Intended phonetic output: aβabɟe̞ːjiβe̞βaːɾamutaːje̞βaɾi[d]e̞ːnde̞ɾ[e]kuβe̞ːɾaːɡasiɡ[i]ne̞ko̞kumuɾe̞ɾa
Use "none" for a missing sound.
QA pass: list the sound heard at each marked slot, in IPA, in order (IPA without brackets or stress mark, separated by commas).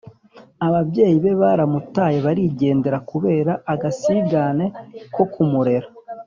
ɟ, a, a